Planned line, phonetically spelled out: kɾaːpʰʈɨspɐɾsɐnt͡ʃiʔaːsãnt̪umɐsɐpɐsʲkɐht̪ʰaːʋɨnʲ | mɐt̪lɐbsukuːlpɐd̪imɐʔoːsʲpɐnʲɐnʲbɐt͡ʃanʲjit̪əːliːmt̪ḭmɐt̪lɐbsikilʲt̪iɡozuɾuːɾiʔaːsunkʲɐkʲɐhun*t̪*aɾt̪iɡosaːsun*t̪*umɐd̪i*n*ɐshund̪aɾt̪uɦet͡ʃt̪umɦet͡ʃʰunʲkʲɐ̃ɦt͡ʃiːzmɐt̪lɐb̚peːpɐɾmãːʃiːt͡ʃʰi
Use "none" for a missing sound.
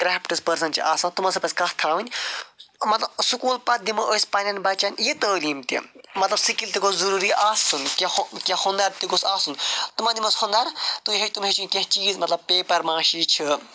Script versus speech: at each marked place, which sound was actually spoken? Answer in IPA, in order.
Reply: d̪, t̪, m

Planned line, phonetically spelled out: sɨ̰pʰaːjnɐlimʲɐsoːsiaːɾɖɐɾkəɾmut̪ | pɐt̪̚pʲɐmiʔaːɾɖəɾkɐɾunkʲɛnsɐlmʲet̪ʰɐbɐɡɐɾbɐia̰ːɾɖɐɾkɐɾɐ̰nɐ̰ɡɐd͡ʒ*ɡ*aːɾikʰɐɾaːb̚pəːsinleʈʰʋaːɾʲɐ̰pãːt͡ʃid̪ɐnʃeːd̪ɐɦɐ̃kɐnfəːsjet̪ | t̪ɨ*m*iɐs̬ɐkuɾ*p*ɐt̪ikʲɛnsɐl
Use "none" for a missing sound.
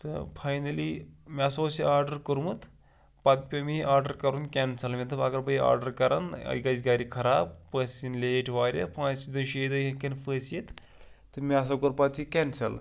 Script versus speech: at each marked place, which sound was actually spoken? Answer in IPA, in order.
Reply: ɡ, m, p

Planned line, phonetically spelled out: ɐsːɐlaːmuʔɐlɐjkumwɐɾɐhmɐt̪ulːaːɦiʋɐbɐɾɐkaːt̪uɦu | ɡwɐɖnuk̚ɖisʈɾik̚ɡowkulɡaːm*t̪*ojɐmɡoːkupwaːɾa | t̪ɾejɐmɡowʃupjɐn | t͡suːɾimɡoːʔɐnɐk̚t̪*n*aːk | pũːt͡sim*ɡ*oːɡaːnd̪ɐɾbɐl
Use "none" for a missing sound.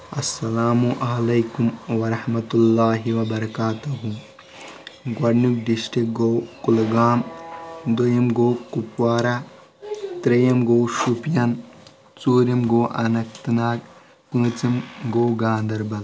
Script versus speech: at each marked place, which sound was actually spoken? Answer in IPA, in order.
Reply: d̪, n, ɡ

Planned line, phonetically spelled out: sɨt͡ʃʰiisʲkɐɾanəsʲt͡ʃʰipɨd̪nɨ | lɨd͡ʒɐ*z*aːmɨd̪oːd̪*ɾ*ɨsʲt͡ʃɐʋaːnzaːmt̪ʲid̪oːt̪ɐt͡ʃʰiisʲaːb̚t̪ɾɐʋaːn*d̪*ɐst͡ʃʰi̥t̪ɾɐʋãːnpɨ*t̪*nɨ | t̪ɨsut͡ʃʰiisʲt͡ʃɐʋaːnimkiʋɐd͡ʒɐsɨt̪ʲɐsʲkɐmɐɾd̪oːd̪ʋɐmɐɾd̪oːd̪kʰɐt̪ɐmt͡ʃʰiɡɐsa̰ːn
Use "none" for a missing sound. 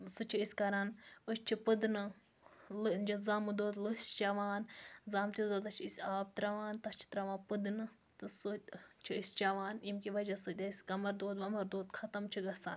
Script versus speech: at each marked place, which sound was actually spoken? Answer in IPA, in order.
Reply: z, l, t̪, d̪

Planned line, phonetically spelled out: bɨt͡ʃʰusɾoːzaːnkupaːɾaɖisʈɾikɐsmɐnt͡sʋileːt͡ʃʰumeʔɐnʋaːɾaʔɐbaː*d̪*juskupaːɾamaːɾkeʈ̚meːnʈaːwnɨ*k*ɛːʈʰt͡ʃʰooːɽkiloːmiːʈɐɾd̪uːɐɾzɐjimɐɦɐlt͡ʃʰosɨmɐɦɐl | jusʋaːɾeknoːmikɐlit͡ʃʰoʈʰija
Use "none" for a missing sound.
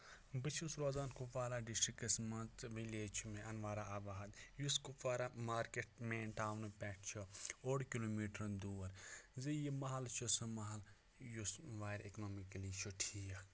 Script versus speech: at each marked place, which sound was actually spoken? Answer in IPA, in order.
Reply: d̪, p

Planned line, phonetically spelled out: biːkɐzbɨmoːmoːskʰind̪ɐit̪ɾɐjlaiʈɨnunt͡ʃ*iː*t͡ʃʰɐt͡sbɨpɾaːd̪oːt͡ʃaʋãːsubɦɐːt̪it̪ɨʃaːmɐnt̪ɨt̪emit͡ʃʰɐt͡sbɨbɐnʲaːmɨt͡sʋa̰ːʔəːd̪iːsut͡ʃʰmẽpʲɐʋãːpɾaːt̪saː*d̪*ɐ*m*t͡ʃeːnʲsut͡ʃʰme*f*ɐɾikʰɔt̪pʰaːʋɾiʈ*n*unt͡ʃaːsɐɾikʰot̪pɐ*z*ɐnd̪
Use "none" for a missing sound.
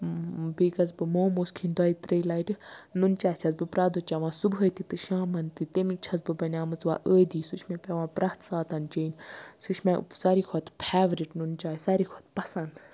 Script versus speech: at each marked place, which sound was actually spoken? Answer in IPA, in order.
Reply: aː, t̪, n, s, n, s

